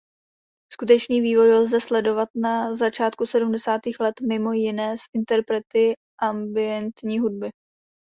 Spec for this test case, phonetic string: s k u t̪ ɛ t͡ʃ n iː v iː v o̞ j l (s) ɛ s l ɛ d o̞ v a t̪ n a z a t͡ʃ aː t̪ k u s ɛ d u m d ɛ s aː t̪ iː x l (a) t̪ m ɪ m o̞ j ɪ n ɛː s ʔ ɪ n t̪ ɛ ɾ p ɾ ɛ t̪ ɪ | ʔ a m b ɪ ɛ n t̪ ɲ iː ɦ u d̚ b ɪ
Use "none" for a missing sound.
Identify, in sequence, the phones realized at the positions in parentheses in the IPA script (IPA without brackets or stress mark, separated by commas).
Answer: z, ɛ